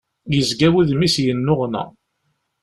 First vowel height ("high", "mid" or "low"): mid